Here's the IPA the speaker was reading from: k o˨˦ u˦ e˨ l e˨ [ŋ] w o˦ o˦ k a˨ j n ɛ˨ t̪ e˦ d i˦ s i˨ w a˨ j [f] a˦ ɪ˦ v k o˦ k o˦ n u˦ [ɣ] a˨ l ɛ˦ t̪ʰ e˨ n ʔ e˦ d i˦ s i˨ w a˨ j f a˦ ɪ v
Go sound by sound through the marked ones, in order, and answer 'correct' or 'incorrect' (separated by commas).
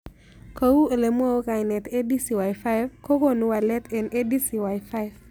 incorrect, correct, incorrect